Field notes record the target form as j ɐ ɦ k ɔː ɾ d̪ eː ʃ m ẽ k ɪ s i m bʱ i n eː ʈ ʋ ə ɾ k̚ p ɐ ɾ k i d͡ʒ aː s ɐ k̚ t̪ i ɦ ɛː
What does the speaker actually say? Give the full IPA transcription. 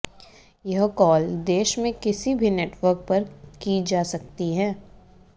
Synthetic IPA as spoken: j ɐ ɦ k ɔː l d̪ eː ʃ m ẽ k ɪ s i bʱ i n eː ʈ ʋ ə ɾ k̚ p ɐ ɾ k i d͡ʒ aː s ɐ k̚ t̪ i ɦ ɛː